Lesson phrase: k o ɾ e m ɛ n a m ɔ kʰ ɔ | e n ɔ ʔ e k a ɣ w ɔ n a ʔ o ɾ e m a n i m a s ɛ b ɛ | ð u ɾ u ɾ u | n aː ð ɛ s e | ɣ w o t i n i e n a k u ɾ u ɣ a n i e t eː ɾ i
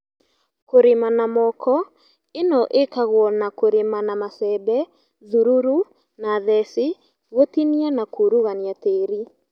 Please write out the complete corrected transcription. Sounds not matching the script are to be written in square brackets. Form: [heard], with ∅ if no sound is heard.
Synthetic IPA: k o ɾ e m [a] n a m ɔ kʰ ɔ | e n ɔ ʔ e k a ɣ w ɔ n a [k] o ɾ e m a n [a] m a s ɛ b ɛ | ð u ɾ u ɾ u | n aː ð ɛ s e | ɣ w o t i n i [a] n a k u ɾ u ɣ a n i [a] t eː ɾ i